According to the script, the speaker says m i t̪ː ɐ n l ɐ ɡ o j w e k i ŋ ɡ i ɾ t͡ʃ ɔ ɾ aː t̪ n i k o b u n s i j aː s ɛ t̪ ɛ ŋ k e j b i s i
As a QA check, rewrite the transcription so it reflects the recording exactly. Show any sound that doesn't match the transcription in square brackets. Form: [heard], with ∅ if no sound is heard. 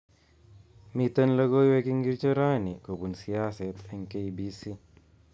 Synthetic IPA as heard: m i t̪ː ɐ n l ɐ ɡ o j w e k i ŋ ɡ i ɾ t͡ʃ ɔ ɾ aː [∅] n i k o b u n s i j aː s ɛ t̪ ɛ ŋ k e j b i s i